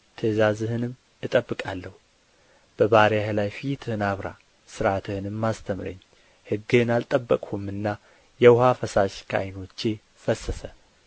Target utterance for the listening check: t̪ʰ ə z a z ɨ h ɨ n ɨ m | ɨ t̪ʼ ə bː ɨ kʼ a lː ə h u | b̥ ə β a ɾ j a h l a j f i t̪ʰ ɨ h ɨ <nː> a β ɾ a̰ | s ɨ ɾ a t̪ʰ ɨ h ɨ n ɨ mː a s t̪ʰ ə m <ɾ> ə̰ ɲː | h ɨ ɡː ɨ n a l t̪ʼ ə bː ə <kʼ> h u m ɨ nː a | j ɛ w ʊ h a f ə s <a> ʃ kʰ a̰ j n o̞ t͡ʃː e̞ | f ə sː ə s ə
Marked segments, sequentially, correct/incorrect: incorrect, correct, correct, correct

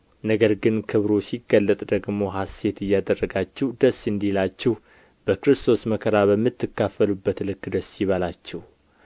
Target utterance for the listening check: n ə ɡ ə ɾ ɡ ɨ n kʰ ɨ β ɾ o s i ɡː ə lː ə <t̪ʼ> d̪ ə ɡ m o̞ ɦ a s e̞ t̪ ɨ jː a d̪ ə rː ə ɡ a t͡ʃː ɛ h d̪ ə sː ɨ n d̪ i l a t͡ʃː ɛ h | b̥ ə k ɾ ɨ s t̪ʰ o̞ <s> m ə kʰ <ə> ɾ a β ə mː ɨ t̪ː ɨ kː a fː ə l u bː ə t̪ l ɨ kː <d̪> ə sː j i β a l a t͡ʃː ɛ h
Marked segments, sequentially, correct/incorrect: correct, correct, correct, correct

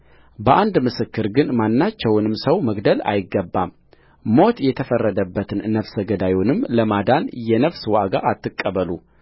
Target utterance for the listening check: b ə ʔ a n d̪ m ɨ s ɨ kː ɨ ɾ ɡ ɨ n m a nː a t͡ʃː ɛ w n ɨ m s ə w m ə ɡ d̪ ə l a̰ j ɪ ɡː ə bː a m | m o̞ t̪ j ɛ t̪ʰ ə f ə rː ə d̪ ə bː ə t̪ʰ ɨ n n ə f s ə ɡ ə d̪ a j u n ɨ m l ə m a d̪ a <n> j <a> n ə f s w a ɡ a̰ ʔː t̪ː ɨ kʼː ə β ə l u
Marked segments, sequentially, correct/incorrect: correct, incorrect

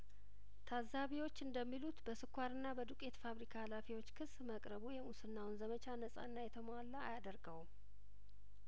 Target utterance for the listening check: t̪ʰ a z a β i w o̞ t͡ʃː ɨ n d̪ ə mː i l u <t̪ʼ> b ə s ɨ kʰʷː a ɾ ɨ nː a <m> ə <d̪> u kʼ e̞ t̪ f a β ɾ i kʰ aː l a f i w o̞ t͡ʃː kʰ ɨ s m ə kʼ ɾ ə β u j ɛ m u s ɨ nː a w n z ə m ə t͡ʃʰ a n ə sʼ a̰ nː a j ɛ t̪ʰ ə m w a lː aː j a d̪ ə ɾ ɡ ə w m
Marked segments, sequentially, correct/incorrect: incorrect, incorrect, correct

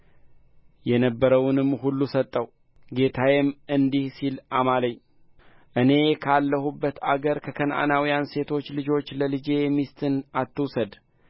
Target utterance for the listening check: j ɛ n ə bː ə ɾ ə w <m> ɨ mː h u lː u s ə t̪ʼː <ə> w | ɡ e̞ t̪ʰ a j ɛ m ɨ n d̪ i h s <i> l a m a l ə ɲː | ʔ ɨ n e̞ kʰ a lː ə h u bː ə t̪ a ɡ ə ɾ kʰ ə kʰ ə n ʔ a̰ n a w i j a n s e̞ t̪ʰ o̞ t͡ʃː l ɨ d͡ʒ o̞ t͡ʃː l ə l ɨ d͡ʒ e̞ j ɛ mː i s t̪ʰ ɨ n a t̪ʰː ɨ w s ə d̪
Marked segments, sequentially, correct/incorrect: incorrect, correct, correct

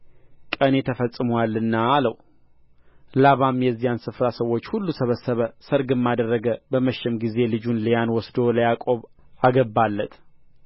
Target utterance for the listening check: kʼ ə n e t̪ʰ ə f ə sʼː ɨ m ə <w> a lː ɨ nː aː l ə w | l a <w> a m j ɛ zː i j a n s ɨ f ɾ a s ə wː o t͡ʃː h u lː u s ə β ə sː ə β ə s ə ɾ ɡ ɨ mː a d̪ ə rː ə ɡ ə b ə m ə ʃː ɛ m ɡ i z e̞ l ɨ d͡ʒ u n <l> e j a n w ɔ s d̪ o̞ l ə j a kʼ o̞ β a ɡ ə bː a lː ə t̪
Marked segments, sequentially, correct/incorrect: correct, incorrect, correct

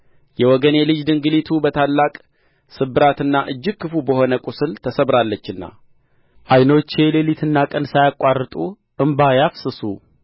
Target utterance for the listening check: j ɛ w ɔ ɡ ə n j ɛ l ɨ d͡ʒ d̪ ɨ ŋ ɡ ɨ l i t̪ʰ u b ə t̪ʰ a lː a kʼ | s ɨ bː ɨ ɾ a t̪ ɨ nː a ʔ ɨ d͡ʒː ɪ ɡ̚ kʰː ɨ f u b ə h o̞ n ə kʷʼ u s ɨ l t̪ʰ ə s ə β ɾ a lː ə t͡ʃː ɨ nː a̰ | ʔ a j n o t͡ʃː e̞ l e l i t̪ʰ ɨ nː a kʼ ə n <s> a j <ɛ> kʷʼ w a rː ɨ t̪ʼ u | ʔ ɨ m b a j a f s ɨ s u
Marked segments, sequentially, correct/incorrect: correct, incorrect

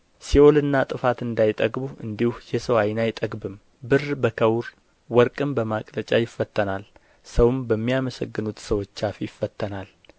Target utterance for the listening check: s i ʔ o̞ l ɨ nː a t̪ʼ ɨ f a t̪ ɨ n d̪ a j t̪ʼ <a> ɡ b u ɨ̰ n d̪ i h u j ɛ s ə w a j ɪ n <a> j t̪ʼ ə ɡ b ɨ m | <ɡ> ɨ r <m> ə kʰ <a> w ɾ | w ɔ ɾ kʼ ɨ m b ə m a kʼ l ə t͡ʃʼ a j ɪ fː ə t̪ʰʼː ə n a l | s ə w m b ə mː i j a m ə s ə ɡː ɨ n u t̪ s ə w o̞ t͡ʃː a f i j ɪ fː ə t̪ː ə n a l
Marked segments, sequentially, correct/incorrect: incorrect, correct, incorrect, incorrect, incorrect

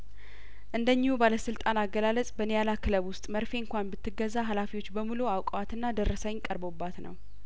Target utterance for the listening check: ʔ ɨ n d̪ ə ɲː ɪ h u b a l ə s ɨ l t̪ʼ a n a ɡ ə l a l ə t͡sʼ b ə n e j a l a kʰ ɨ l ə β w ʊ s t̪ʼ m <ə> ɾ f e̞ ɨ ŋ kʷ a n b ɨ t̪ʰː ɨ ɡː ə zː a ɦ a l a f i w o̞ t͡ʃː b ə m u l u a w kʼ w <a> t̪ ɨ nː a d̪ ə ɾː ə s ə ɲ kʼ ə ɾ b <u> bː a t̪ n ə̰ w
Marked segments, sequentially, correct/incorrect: correct, correct, incorrect

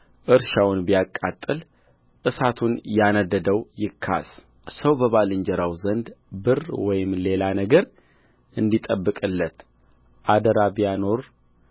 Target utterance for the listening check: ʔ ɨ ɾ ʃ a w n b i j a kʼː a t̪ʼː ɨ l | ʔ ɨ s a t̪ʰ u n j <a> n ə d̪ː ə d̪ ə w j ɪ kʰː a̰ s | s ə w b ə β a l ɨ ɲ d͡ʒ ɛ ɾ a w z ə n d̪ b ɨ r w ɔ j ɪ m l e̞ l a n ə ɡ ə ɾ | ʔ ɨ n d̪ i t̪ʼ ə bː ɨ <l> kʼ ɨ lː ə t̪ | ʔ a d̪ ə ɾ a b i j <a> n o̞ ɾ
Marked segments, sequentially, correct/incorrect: correct, incorrect, correct

